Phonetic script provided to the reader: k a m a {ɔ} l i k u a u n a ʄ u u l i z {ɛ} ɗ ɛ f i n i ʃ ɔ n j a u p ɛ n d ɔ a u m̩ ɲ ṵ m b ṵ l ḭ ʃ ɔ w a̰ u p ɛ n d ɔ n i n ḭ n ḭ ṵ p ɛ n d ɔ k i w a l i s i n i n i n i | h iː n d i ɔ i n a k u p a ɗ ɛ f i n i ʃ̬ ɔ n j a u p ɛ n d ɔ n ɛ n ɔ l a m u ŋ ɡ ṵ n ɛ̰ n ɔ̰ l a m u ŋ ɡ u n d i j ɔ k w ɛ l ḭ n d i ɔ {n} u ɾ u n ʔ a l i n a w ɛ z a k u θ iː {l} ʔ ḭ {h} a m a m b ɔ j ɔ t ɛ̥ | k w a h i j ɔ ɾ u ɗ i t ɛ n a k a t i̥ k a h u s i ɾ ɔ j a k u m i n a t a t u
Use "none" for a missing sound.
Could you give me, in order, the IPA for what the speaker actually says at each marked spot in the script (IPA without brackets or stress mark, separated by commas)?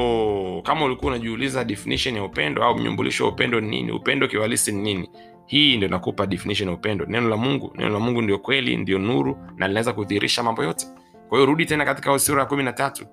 u, a, n, ɾ, ʃ